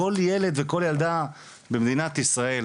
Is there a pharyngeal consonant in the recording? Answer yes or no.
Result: no